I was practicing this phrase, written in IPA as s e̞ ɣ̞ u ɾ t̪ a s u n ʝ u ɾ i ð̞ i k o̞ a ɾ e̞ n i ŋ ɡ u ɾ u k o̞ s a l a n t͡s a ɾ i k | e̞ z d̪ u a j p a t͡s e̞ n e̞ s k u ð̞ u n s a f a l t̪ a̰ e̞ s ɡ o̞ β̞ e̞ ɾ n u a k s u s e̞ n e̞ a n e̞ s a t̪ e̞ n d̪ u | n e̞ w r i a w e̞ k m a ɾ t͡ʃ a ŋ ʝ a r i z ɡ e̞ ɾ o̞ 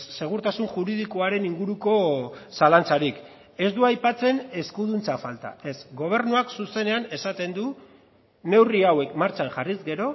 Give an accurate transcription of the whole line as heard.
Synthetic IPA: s e̞ ɣ̞ u ɾ t̪ a s u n ʝ u ɾ i ð̞ i k o̞ a ɾ e̞ n i ŋ ɡ u ɾ u k o̞ s a l a n t͡s a ɾ i k | e̞ z d̪ u a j p a t͡s e̞ n e̞ s k u ð̞ u n t͡s a f a l t̪ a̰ e̞ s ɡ o̞ β̞ e̞ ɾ n u a k s u s e̞ n e̞ a n e̞ s a t̪ e̞ n d̪ u | n e̞ w r i a w e̞ k m a ɾ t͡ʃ a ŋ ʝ a r i z ɡ e̞ ɾ o̞